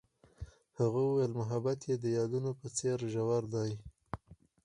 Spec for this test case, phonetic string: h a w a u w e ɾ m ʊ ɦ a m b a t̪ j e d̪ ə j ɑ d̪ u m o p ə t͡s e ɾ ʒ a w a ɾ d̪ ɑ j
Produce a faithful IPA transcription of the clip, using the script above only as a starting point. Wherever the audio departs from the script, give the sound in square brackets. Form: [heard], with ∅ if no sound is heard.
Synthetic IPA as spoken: h a [ɣ] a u w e [l] m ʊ ɦ a [∅] b a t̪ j e d̪ ə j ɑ d̪ u [n] o p ə t͡s e ɾ ʒ a w a ɾ d̪ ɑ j